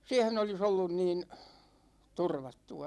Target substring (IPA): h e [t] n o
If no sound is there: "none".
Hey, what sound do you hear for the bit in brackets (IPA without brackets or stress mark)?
none